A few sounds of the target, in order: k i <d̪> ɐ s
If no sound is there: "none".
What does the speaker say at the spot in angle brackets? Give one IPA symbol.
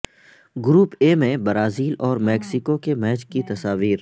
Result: t̪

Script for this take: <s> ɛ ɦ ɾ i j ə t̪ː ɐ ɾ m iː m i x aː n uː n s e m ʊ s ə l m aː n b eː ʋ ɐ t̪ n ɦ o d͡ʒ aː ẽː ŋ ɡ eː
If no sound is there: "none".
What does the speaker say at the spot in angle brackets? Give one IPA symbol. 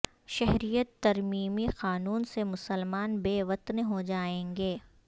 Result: ʃ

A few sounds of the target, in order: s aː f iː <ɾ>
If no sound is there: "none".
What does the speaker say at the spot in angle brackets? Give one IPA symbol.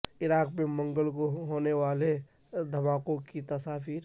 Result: ɾ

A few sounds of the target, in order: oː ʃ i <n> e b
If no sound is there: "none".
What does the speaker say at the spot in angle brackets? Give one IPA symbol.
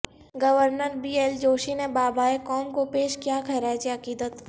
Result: n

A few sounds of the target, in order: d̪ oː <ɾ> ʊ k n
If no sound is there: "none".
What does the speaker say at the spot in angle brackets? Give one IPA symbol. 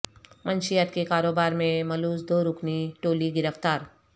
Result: ɾ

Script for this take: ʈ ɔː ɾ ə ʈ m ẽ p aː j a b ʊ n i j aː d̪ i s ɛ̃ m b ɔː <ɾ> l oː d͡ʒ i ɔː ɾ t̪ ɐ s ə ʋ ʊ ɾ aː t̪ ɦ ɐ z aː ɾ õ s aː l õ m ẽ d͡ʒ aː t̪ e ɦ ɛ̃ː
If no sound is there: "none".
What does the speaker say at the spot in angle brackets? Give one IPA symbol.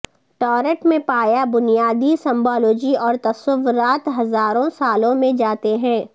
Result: none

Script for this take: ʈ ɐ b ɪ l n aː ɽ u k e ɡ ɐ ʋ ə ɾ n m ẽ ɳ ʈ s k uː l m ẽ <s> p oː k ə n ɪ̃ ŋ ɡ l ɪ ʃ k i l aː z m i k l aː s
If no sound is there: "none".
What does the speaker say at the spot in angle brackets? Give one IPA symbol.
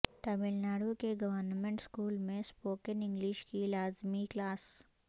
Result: s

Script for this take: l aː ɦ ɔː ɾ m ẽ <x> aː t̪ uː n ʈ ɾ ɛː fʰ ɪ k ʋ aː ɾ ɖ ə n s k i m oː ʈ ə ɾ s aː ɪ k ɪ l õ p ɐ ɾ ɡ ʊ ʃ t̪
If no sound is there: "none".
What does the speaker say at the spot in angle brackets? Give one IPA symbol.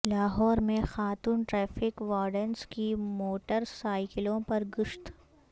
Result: x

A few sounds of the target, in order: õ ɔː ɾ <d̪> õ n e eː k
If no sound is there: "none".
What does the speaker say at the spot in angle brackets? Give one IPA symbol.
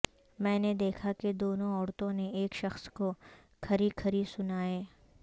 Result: t̪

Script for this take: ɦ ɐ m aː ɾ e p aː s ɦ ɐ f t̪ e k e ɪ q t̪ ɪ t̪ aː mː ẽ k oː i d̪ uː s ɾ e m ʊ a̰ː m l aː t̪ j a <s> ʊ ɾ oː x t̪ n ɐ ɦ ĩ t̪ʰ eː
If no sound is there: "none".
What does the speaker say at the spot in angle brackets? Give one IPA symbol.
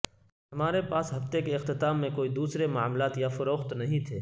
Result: f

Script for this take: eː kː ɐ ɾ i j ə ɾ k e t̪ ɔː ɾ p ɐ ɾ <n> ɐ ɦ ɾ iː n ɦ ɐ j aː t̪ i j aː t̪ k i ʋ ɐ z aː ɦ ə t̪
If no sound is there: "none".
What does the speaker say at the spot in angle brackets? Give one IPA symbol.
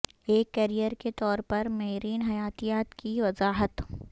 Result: m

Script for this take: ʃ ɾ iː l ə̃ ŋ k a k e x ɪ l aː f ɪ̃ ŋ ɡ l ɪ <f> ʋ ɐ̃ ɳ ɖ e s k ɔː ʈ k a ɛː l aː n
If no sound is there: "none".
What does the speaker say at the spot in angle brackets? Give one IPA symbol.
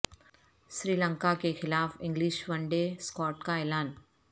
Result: ʃ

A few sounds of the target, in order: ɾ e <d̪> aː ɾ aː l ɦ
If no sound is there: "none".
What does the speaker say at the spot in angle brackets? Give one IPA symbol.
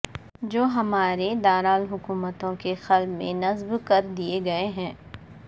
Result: d̪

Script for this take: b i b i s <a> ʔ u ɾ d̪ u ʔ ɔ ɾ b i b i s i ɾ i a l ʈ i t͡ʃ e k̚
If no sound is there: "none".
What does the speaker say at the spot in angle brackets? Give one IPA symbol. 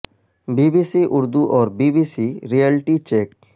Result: i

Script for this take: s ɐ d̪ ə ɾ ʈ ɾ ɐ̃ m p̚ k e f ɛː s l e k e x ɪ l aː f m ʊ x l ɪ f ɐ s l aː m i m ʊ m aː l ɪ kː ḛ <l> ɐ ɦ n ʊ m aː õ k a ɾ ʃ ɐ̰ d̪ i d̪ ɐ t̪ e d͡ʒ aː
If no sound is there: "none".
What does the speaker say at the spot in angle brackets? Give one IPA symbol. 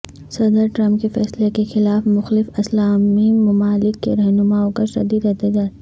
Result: ɾ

